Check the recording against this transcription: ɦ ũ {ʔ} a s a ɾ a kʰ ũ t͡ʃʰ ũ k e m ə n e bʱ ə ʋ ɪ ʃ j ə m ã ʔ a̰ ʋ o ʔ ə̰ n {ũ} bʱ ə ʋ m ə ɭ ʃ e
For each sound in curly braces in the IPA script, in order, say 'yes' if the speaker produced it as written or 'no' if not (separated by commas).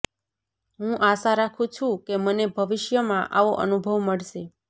yes, no